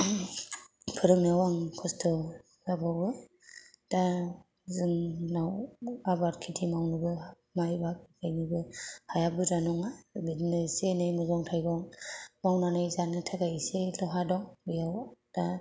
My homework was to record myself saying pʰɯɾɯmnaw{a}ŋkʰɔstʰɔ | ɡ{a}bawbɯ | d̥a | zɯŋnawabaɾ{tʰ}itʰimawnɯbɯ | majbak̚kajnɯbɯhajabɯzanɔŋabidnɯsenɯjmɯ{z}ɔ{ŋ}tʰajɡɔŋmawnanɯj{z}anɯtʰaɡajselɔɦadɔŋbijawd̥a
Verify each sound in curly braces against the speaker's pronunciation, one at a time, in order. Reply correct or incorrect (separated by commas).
correct, correct, incorrect, correct, correct, correct